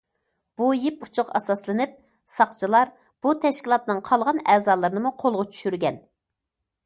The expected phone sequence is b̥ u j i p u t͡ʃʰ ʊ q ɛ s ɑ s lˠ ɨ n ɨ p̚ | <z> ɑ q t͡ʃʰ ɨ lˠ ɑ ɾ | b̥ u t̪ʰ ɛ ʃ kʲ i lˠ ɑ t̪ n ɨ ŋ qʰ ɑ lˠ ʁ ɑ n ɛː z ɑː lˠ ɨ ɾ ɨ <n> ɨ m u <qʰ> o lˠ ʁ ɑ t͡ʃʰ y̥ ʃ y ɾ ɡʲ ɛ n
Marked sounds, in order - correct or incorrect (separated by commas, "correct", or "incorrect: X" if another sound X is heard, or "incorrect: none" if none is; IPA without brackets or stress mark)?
incorrect: s, correct, correct